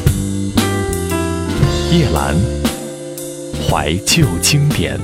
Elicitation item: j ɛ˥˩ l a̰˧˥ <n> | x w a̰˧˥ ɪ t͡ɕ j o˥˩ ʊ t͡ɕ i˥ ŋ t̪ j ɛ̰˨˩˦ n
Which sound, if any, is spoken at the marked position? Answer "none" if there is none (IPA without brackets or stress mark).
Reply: n